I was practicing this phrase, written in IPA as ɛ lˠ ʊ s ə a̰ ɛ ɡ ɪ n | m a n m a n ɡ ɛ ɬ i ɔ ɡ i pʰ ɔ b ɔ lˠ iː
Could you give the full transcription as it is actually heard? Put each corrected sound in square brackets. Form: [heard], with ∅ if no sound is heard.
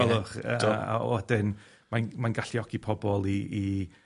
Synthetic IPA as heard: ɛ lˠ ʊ [χ] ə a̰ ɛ [d] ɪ n | m a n m a n ɡ [a] ɬ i ɔ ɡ i pʰ ɔ b ɔ lˠ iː

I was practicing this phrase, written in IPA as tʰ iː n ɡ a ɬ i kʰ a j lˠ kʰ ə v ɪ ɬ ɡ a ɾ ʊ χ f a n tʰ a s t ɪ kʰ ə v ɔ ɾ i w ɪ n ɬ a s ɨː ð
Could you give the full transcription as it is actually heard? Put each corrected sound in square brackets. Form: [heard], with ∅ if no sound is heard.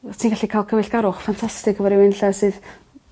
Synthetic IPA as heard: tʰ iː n ɡ a ɬ i kʰ a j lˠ kʰ ə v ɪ ɬ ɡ a ɾ ʊ χ f a n tʰ a s t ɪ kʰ ə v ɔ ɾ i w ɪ n ɬ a s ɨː ð

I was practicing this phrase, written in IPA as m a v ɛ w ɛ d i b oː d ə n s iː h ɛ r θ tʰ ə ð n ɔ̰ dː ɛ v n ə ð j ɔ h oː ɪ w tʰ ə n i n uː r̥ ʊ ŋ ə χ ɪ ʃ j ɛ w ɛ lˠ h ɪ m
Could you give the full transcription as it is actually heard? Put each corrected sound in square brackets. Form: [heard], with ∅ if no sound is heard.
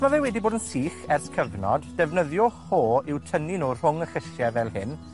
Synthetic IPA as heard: m a v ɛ w ɛ d i b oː d ə n s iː [χ] ɛ r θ [kʰ] ə [v] n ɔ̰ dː ɛ v n ə ð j ɔ h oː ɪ w tʰ ə n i n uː r̥ ʊ ŋ ə χ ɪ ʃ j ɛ [v] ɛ lˠ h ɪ [n]

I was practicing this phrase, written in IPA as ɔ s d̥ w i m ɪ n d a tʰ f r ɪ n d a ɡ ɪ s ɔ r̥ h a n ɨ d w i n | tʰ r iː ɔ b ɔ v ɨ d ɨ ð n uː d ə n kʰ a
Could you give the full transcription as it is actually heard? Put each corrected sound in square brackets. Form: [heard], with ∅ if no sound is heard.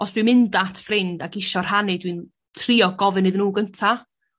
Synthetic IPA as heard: ɔ s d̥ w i m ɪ n d a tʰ f r ɪ n d a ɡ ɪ [ʃ] ɔ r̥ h a n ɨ d w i n | tʰ r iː ɔ [ɡ] ɔ v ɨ [n] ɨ ð n uː [ɡ] ə n [tʰ] a

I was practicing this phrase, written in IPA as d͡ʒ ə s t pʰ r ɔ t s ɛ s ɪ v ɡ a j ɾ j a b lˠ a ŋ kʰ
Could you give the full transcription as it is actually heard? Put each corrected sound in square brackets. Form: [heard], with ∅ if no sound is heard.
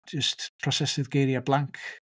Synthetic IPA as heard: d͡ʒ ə s t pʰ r ɔ [∅] s ɛ s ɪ [ð] ɡ [e] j ɾ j a b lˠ a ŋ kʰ

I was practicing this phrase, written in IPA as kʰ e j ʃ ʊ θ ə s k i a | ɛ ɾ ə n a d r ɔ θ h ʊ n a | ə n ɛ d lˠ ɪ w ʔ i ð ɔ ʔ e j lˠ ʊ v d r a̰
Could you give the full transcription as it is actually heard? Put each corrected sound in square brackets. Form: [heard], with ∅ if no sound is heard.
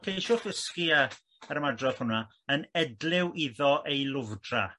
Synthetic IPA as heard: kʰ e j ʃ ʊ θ ə s k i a | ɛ ɾ ə [m] a d r ɔ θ h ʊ n a | ə n ɛ d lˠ ɪ w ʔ i ð ɔ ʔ e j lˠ ʊ v d r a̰

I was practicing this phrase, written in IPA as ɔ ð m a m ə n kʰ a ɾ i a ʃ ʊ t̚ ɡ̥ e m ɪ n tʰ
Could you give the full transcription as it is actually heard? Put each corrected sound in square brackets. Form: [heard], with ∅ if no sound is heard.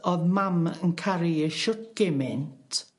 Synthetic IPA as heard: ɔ ð m a m ə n kʰ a ɾ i [ə] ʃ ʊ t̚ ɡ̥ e m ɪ n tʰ

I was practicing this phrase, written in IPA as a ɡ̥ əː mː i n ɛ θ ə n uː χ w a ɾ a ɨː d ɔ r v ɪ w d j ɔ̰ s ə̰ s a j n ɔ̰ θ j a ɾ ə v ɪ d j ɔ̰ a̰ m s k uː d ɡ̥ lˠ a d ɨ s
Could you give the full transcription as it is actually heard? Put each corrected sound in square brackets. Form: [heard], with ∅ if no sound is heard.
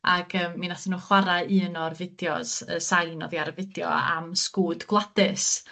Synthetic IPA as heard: a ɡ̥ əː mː i n [a] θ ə n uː χ w a ɾ a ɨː [n] ɔ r v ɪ [∅] d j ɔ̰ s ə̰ s a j n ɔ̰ [ð] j a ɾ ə v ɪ d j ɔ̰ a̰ m s k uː d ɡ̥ lˠ a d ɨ s

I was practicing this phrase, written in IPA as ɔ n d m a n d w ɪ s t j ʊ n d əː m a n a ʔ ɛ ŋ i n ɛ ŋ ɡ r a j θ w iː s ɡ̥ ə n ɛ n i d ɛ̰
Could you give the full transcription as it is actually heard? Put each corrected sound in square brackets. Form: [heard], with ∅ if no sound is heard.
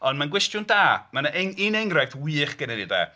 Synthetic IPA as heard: ɔ n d m a n [ɡ] w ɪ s t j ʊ n d [aː] m a n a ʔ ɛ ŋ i n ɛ ŋ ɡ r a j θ w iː [χ] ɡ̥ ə n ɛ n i d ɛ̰

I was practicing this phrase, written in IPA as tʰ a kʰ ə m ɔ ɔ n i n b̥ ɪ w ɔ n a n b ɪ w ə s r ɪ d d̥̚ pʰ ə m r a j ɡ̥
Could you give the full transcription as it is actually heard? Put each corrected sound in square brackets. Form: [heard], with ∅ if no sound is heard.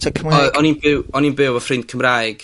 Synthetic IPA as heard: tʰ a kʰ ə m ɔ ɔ n i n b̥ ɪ w ɔ n [i] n b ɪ w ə [f] r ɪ [n] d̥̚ [kʰ] ə m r a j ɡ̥

